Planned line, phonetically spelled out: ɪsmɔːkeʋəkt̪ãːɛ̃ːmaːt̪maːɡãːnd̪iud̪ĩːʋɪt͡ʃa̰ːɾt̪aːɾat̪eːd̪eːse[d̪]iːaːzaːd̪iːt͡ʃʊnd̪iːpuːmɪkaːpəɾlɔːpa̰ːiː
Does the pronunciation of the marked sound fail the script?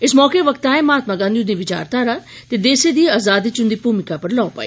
no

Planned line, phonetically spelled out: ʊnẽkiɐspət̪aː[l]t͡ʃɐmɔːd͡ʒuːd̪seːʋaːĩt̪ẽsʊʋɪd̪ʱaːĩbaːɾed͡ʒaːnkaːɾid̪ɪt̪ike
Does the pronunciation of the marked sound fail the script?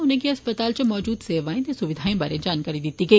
no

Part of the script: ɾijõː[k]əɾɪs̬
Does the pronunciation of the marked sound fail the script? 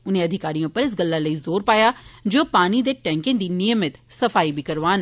yes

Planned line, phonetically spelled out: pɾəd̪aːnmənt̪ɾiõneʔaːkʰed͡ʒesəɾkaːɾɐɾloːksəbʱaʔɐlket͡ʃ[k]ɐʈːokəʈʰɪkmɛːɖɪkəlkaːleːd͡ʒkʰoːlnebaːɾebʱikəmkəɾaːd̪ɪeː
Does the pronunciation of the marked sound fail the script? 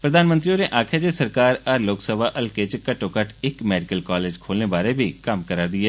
no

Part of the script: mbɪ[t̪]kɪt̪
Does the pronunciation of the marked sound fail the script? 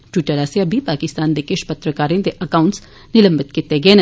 no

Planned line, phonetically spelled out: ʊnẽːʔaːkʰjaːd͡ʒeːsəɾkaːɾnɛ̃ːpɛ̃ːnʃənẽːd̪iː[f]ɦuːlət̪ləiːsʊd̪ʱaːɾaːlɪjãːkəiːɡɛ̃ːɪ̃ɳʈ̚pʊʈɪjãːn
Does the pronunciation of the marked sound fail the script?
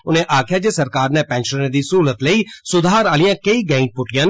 yes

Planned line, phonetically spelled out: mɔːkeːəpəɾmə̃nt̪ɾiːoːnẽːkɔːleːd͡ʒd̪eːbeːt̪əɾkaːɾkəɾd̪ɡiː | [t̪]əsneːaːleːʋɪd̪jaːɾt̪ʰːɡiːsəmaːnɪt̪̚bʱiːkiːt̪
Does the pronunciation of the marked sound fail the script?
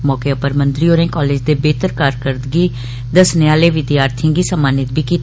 yes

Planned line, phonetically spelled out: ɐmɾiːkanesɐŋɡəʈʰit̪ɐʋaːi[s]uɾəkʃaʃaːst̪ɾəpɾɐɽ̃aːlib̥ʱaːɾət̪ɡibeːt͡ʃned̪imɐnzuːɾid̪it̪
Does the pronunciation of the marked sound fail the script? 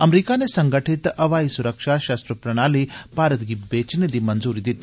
no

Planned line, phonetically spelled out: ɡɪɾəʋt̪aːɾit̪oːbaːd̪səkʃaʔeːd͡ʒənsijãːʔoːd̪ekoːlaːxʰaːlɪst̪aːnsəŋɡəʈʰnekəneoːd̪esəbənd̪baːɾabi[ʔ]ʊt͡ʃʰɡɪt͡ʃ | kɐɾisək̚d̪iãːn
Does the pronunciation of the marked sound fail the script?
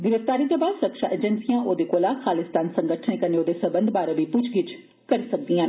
yes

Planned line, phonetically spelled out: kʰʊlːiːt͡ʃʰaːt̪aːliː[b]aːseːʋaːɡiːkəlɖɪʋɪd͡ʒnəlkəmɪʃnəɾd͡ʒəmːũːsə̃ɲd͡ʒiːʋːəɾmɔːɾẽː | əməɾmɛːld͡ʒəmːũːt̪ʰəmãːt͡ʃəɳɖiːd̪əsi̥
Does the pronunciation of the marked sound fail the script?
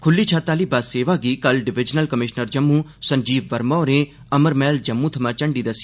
no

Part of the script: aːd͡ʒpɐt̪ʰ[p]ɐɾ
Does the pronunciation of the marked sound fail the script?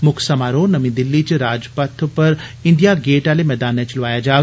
no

